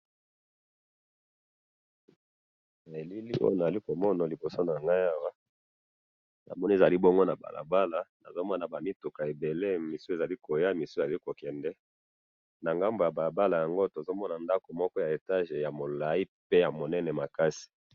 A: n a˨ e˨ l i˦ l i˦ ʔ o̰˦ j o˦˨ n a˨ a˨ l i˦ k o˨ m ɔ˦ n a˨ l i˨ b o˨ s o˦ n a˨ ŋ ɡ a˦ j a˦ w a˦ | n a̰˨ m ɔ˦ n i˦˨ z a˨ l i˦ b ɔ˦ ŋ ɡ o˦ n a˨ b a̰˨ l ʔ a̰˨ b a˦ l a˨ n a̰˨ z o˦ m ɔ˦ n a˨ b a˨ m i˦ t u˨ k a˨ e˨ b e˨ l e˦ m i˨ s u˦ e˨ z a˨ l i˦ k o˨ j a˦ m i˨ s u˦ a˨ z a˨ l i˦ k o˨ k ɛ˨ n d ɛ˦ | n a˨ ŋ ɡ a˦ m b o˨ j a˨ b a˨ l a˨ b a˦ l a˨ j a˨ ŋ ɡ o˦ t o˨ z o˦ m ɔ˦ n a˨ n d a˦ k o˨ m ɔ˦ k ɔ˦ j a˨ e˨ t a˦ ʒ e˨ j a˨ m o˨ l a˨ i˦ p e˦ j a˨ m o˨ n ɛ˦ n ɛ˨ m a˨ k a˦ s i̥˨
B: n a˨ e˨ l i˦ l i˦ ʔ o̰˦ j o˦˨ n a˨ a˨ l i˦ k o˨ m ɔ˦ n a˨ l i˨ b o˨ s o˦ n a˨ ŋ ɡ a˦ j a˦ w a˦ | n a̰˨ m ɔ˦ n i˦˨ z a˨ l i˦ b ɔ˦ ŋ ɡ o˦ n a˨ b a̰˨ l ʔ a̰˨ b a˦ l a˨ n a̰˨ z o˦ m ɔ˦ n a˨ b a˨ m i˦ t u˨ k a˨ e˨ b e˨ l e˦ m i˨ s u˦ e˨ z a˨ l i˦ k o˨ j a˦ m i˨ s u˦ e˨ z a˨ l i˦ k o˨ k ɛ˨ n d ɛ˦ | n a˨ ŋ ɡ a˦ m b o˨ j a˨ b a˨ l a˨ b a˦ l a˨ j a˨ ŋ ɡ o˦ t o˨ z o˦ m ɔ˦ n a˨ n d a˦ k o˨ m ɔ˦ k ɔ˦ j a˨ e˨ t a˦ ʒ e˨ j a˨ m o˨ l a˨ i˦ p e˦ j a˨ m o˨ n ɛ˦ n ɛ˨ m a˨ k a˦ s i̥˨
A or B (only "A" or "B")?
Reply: B